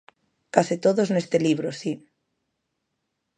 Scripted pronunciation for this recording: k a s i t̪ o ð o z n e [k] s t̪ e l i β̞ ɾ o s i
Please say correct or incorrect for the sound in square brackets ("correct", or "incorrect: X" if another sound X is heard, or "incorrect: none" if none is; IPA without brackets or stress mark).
incorrect: none